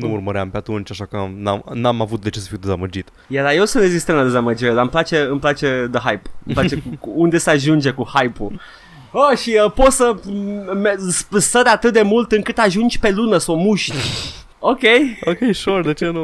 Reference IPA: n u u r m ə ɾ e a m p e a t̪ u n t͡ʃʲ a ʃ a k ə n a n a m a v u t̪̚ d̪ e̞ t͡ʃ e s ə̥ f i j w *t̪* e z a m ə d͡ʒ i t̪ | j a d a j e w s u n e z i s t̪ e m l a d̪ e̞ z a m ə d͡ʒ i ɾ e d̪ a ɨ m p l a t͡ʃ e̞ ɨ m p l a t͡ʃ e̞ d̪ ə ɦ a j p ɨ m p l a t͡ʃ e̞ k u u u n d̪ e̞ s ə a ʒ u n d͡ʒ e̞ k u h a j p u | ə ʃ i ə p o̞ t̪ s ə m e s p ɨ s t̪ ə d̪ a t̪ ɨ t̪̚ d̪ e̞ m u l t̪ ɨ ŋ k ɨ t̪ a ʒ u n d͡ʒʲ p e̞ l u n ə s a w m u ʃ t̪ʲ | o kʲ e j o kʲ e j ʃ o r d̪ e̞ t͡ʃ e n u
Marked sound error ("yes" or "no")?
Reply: yes